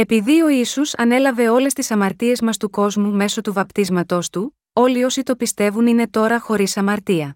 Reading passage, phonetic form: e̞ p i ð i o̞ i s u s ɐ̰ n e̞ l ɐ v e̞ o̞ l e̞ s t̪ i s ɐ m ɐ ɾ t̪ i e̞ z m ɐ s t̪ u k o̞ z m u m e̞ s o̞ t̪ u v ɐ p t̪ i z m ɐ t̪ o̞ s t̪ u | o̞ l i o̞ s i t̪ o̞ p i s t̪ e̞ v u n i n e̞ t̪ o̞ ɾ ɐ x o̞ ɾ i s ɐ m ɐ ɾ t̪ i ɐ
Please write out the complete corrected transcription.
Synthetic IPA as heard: e̞ p i ð i o̞ i s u s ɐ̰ n e̞ l ɐ v e̞ o̞ l e̞ s t̪ i s ɐ m ɐ ɾ t̪ i e̞ z m ɐ s t̪ u k o̞ z m u m e̞ s o̞ t̪ u v ɐ p t̪ i z m ɐ t̪ o̞ s t̪ u | o̞ l i o̞ s i t̪ o̞ p i s t̪ e̞ v u n i n e̞ t̪ o̞ ɾ ɐ x o̞ ɾ i s ɐ m ɐ ɾ t̪ i ɐ